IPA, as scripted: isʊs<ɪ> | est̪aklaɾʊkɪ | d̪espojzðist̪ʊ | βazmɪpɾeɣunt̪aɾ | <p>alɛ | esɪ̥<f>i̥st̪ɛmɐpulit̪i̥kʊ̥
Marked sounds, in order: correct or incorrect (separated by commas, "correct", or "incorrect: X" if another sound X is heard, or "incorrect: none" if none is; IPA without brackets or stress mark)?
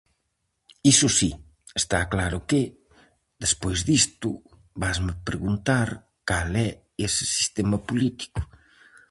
incorrect: i, incorrect: k, incorrect: s